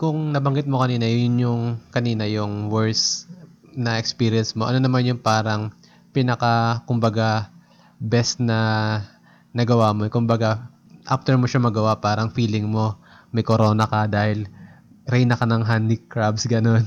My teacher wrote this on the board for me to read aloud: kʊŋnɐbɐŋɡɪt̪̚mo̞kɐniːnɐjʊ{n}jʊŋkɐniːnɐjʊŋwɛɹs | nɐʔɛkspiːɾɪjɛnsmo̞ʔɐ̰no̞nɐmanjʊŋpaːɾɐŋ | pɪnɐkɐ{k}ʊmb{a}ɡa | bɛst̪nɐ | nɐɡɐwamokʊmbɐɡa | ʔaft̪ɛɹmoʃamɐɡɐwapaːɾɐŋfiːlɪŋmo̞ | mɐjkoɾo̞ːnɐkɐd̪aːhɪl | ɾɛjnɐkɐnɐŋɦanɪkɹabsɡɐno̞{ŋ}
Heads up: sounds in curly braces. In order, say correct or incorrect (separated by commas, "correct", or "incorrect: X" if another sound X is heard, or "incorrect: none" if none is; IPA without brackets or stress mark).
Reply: correct, correct, incorrect: ɐ, incorrect: n